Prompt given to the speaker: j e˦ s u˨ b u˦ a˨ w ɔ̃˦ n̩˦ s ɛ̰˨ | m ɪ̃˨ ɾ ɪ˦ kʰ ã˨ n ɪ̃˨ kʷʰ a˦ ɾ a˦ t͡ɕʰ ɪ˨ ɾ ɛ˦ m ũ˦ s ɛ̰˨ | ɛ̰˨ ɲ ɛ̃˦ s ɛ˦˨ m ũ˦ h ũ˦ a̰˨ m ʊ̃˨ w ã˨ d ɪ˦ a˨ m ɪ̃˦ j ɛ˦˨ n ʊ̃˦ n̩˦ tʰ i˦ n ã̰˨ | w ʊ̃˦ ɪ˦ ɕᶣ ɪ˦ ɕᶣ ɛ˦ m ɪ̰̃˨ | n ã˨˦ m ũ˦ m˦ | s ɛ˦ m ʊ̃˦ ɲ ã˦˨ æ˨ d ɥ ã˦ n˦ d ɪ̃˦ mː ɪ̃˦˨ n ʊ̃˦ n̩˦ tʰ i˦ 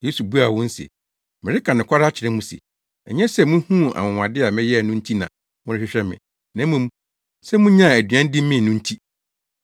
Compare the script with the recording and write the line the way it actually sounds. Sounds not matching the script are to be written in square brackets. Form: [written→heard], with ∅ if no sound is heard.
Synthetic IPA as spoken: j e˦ s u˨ b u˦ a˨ w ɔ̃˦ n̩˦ s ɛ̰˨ | m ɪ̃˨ ɾ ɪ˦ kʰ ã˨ n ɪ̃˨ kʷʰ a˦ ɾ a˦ t͡ɕʰ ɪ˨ ɾ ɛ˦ m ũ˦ s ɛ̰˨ | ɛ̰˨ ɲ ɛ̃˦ s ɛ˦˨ m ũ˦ h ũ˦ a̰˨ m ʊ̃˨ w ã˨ d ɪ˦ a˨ m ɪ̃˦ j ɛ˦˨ n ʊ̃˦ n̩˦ tʰ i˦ n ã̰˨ | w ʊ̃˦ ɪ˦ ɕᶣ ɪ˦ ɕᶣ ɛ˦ m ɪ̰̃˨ | n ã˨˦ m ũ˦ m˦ | s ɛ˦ m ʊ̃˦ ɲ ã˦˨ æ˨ d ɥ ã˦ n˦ d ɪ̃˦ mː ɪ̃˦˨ n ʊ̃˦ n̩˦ tʰ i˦